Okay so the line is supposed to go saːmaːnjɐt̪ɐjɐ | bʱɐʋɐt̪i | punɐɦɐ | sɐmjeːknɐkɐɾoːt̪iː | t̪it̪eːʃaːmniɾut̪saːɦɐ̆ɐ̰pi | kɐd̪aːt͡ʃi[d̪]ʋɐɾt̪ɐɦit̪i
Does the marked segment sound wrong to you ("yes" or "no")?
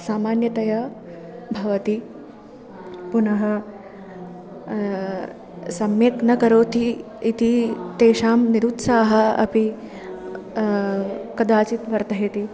yes